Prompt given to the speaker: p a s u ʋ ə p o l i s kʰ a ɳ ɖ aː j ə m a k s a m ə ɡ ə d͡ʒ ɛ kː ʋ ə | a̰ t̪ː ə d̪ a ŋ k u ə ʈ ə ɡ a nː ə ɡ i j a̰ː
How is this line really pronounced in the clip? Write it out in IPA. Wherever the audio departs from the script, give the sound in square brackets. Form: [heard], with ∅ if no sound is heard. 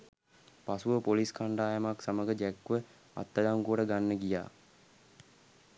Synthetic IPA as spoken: p a s u ʋ ə p o l i s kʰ a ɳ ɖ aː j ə m a k s a m ə ɡ ə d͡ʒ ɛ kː ʋ ə | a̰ t̪ː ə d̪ a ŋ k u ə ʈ ə ɡ a nː ə ɡ i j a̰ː